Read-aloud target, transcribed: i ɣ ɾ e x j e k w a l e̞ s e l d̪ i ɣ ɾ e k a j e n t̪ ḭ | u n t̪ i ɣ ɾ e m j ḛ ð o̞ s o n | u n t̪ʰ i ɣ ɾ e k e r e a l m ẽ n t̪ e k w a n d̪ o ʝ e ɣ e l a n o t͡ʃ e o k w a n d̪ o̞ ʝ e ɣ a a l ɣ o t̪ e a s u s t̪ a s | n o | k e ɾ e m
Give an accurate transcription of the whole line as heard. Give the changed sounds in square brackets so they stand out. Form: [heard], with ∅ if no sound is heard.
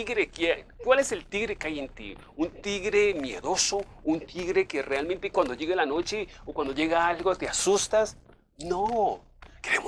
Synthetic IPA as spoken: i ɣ ɾ e [k] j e k w a l e̞ s e l [t̪] i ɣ ɾ e k a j e n t̪ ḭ | u n t̪ i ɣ ɾ e m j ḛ ð o̞ s o [∅] | u n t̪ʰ i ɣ ɾ e k e r e a l m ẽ n t̪ e k w a n d̪ o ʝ e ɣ e l a n o t͡ʃ e o k w a n d̪ o̞ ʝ e ɣ a a l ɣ o t̪ e a s u s t̪ a s | n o | k e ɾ e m